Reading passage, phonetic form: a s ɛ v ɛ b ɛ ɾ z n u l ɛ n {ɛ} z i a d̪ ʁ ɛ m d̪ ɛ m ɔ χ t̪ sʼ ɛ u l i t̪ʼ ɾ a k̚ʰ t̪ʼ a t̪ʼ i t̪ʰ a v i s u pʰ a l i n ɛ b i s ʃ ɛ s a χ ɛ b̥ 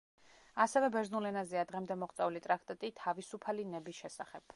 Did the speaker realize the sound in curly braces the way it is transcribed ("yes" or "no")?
no